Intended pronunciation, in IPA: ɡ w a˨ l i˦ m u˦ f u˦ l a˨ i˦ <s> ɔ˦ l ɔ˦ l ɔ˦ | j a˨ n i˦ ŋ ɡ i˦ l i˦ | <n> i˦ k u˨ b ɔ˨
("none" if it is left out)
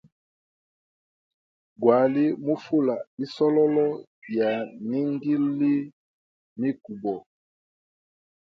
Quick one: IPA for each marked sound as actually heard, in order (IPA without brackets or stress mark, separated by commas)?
s, m